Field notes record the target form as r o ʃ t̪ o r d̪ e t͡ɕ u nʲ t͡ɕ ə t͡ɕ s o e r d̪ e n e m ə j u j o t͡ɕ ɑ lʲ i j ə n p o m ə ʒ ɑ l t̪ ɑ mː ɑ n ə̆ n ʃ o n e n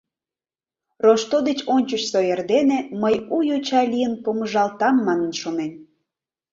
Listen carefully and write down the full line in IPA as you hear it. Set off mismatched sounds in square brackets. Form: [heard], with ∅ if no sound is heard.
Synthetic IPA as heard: r o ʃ t̪ o [∅] d̪ e t͡ɕ [o] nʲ t͡ɕ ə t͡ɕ s o e r d̪ e n e m ə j u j o t͡ɕ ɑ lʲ i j ə n p o m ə ʒ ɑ l t̪ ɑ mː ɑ n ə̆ n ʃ o n e n

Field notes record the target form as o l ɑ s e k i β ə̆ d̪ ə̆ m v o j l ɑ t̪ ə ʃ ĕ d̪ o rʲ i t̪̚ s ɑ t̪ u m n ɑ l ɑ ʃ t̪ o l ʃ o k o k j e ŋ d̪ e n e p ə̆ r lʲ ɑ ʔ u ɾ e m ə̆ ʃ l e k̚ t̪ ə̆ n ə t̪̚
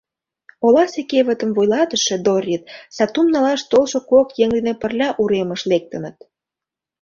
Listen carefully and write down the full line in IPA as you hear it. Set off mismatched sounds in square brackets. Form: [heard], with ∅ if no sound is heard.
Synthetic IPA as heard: o l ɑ s e k [e] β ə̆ [t̪] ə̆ m v o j l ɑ t̪ ə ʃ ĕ d̪ o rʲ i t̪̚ s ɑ t̪ u m n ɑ l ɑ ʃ t̪ o l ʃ o k o k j e ŋ d̪ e n e p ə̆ r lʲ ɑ ʔ u ɾ e m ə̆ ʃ l e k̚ t̪ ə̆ n ə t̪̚

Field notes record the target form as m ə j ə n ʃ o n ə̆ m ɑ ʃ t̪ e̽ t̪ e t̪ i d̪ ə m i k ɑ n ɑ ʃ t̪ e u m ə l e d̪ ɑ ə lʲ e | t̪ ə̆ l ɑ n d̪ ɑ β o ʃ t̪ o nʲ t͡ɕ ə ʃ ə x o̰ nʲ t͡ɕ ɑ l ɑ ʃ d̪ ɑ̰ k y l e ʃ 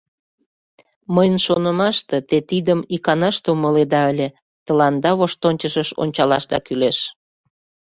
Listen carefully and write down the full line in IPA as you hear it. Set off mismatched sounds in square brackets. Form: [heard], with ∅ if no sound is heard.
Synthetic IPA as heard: m ə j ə n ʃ o n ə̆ m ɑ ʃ t̪ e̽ t̪ e t̪ i d̪ ə m i k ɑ n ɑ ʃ t̪ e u m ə l e d̪ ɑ ə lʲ e | t̪ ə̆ l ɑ n d̪ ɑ β o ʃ t̪ o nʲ t͡ɕ ə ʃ ə [ʃ] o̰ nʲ t͡ɕ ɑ l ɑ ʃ d̪ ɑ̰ k y l e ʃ

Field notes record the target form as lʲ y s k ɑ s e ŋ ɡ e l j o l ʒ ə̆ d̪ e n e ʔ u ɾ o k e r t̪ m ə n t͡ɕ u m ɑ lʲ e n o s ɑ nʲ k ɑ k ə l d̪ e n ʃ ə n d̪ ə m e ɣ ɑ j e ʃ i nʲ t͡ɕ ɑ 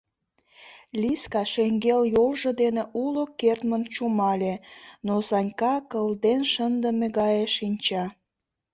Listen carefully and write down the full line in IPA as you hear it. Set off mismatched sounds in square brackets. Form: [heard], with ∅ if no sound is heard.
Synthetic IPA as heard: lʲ [i] s k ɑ [ʃ] e ŋ ɡ e l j o l ʒ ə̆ d̪ e n e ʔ u [l] o k e r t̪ m ə n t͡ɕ u m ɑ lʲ e n o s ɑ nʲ k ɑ k ə l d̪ e n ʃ ə n d̪ ə m e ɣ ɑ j e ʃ i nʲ t͡ɕ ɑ

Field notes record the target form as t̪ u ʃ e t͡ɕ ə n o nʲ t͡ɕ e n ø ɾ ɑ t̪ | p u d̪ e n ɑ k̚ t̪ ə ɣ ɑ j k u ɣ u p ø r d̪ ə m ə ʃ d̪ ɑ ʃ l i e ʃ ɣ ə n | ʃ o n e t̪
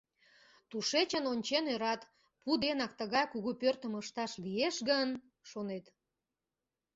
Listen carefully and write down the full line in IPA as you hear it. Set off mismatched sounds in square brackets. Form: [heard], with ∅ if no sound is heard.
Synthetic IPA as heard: t̪ u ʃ e t͡ɕ ə n o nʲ t͡ɕ e n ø ɾ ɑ t̪ | p u d̪ e n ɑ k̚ t̪ ə ɣ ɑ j k u ɣ u p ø r [t̪] ə m ə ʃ [t̪] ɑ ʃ l i e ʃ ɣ ə n | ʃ o n e t̪

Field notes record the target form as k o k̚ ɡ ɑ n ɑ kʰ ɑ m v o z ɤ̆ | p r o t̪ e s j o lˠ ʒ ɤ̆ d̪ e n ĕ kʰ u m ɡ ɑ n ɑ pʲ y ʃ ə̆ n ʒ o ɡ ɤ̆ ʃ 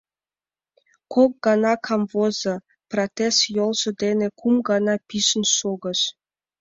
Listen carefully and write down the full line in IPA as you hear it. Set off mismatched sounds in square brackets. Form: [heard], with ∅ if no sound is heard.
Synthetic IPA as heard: k o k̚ ɡ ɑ n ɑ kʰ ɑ m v o z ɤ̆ | p r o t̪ e s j o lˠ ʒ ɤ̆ d̪ e n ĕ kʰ u m ɡ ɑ n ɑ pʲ [i] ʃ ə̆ n [ʃ] o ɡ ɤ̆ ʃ

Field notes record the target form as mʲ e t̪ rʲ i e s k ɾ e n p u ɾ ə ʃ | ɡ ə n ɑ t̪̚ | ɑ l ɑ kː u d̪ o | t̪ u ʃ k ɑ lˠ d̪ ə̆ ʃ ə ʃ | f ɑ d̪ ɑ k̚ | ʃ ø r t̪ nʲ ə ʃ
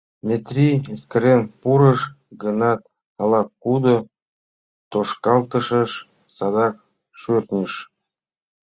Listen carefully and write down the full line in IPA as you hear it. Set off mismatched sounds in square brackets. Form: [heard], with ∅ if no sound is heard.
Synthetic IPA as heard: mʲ e t̪ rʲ i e s k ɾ e n p u ɾ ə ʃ | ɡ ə n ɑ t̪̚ | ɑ l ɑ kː u d̪ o | t̪ [o] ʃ k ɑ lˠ [t̪] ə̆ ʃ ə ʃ | [s] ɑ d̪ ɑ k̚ | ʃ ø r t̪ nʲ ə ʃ

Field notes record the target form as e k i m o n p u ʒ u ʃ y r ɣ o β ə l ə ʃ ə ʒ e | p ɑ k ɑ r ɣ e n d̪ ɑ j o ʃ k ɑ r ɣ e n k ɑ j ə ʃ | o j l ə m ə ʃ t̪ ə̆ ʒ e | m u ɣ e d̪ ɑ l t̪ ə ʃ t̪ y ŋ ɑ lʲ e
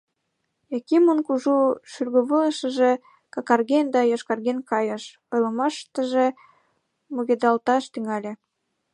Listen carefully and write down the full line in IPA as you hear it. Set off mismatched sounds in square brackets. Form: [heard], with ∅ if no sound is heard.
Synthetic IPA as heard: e k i m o n [k] u ʒ u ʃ y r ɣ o β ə l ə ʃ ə ʒ e | [k] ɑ k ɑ r ɣ e n d̪ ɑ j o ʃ k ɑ r ɣ e n k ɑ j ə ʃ | o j l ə m [ɑ] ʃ t̪ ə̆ ʒ e | m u ɣ e d̪ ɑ l t̪ [ɑ] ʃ t̪ y ŋ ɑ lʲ e

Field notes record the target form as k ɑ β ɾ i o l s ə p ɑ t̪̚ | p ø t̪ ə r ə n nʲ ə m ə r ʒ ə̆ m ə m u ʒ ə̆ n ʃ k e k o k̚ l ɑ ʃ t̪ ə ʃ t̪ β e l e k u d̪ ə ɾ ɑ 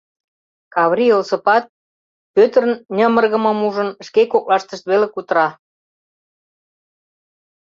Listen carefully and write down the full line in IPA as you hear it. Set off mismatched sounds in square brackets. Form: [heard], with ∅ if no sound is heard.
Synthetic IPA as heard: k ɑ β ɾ i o l s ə p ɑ t̪̚ | p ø t̪ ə r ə n nʲ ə m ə r [ɣ] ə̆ m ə m u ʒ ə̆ n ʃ k e k o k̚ l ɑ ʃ t̪ ə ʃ t̪ β e l e k u [t̪] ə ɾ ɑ

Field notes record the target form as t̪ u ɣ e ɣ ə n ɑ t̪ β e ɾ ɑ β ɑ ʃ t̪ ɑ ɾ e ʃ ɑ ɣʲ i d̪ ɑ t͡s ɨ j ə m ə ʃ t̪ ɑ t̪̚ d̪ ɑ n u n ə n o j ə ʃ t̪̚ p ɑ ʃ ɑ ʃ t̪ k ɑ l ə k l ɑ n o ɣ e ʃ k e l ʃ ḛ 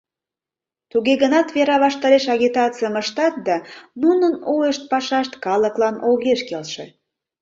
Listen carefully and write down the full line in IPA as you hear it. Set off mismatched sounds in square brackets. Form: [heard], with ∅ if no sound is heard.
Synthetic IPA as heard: t̪ u ɣ e ɣ ə n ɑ t̪ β e ɾ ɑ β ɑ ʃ t̪ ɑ ɾ e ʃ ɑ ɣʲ i [t̪] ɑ t͡s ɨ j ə m ə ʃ t̪ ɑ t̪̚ d̪ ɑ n u n ə n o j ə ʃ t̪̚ p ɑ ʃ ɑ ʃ t̪ k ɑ l ə k l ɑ n o ɣ e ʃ k e l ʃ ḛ

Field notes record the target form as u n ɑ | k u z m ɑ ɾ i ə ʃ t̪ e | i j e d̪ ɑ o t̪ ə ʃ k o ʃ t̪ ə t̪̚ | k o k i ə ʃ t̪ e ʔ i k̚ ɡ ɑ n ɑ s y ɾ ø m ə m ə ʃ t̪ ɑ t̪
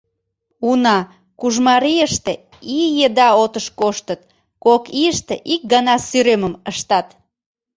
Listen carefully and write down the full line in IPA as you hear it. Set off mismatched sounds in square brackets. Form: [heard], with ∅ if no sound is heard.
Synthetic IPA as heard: u n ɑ | k u [ʒ] m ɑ ɾ i ə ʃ t̪ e | i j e d̪ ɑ o t̪ ə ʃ k o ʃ t̪ ə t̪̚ | k o k i ə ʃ t̪ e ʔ i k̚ ɡ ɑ n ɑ s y ɾ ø m ə m ə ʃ t̪ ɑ t̪

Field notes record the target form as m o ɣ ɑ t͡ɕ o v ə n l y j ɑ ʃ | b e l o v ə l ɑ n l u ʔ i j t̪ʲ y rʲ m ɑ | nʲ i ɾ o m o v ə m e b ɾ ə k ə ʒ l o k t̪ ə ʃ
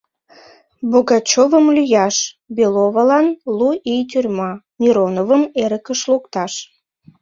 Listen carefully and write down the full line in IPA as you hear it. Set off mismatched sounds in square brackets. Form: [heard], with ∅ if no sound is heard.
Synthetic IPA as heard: [b] o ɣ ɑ t͡ɕ o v ə [m] l y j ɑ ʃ | b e l o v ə l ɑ n l u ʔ i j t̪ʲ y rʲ m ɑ | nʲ i ɾ o [n] o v ə m e [∅] ɾ ə k ə [ʃ] l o k t̪ [ɑ] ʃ

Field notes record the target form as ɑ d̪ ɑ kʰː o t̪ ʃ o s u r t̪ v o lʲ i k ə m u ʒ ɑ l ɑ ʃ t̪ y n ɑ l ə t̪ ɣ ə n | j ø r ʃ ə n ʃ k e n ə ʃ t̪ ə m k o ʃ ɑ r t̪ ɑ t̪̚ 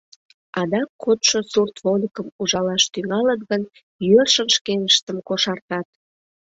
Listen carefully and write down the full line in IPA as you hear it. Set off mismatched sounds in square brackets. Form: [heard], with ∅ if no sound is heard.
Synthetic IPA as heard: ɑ d̪ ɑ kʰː o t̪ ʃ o s u r t̪ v o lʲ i k ə m u ʒ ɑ l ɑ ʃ t̪ y [ŋ] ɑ l ə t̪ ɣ ə n | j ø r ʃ ə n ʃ k e n ə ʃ t̪ ə m k o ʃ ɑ r t̪ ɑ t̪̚

